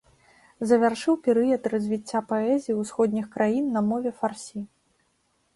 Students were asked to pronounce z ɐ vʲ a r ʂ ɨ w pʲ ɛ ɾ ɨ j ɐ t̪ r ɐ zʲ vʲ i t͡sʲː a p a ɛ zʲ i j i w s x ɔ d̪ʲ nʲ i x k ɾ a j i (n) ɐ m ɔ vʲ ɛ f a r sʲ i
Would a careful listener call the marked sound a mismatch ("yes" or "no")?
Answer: yes